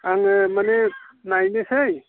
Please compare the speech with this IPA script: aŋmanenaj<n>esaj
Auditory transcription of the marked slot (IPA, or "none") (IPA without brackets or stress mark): n